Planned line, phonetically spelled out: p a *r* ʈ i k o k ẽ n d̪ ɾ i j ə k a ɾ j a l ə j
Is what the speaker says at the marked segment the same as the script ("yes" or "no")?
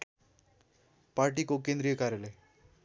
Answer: no